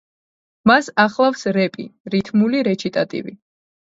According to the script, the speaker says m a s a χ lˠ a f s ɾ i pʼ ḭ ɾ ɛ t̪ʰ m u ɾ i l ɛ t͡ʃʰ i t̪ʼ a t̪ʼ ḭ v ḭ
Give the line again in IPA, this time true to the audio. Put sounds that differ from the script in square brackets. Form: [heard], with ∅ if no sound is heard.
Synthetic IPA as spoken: m a s a χ lˠ a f s ɾ [ɛ] pʼ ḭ ɾ [i] t̪ʰ m u [l] i [ɾ] ɛ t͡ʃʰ i t̪ʼ a t̪ʼ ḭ v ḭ

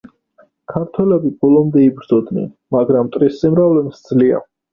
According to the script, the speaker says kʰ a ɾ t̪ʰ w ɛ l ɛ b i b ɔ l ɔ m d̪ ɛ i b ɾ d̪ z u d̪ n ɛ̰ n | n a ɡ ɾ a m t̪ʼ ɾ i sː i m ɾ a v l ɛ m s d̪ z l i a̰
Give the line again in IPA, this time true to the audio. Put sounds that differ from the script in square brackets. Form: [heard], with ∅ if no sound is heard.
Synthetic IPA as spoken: kʰ a ɾ t̪ʰ w ɛ l ɛ b i b ɔ l ɔ m d̪ ɛ i b ɾ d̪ z [ɔ] d̪ n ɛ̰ n | [m] a ɡ ɾ a m t̪ʼ ɾ i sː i m ɾ a v l ɛ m s d̪ z l i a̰

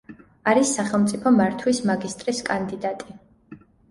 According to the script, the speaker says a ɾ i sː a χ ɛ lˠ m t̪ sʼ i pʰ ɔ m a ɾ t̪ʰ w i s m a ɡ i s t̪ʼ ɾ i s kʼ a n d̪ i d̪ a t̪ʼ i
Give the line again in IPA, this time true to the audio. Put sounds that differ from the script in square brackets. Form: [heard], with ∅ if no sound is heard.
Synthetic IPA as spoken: a ɾ i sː a χ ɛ lˠ m t̪ sʼ i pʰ ɔ m a ɾ t̪ʰ w i s m a ɡ i s t̪ʼ ɾ i s kʼ a n d̪ i d̪ a t̪ʼ i

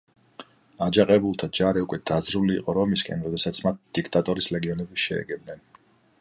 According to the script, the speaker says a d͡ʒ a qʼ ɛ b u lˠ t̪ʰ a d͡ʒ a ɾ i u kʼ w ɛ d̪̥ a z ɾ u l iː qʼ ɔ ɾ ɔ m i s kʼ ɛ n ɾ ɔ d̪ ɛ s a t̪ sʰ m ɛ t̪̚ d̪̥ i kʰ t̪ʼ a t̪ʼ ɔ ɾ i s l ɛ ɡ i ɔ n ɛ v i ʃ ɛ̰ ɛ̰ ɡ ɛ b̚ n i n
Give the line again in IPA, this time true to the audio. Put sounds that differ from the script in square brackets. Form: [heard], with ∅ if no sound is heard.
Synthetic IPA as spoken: a d͡ʒ a qʼ ɛ b u lˠ t̪ʰ a d͡ʒ a ɾ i u kʼ w ɛ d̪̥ a z ɾ u l iː qʼ ɔ ɾ ɔ m i s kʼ ɛ n ɾ ɔ d̪ ɛ s a t̪ sʰ m [a] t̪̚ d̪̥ i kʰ t̪ʼ a t̪ʼ ɔ ɾ i s l ɛ ɡ i ɔ n ɛ [b] i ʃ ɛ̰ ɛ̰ ɡ ɛ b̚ n [ɛ] n

